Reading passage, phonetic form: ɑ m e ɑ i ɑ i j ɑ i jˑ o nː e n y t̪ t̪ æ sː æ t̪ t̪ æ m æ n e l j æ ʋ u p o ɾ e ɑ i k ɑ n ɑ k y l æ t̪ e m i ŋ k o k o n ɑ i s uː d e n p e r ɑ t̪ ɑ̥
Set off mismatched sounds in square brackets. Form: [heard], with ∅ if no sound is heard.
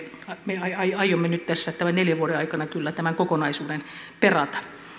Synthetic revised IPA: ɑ m e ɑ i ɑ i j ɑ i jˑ o [mː] e n y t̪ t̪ æ sː æ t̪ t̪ æ m æ n e l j æ ʋ u [∅] o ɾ e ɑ i k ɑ n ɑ k y [lː] æ t̪ [æ] m [æ] ŋ k o k o n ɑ i s uː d e n p e r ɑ t̪ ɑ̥